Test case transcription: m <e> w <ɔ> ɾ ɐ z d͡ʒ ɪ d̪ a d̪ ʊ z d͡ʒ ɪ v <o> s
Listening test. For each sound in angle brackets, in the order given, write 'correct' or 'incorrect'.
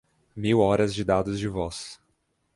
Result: incorrect, correct, incorrect

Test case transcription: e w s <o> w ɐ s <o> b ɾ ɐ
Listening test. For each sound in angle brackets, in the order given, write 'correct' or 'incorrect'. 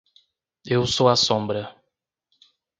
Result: correct, incorrect

